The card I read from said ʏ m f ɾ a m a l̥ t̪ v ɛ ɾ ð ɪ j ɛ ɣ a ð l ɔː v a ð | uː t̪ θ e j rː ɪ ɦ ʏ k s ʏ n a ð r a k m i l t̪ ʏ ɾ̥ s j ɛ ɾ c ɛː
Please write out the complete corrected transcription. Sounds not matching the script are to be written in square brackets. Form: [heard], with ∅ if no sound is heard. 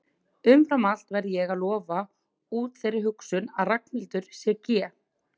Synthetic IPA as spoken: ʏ m f ɾ a m a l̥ t̪ v ɛ ɾ ð ɪ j ɛ ɣ a ð l ɔː v a [∅] | uː t̪ θ e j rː ɪ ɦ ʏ k s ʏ n a ð r a k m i l t̪ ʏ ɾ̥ s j ɛ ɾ c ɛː